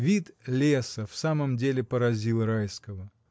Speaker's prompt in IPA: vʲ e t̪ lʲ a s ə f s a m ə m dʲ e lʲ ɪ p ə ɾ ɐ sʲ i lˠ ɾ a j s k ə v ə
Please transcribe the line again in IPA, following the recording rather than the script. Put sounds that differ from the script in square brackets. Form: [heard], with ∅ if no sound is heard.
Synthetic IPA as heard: vʲ [i] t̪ lʲ [e] s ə f s a m ə m dʲ e lʲ ɪ p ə ɾ ɐ [zʲ] i lˠ ɾ a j s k ə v ə